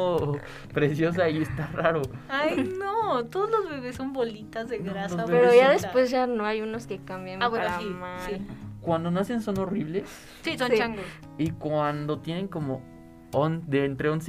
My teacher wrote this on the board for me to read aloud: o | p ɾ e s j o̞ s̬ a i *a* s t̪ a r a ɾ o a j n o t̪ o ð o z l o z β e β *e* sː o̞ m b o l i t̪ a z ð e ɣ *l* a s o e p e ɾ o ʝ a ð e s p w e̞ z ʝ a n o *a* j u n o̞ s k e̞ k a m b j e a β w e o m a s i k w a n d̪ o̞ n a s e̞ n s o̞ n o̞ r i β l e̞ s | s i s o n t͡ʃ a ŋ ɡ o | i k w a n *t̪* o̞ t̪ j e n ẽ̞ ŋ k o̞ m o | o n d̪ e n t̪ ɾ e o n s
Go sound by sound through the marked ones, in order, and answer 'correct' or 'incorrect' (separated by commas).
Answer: incorrect, correct, incorrect, correct, incorrect